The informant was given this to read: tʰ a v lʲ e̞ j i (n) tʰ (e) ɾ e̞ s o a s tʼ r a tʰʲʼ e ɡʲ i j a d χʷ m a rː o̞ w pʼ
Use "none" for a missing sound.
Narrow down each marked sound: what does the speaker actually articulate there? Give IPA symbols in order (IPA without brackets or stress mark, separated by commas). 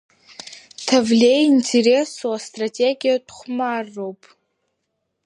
n, e